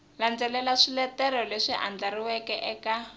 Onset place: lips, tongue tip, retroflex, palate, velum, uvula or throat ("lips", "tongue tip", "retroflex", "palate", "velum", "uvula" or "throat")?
tongue tip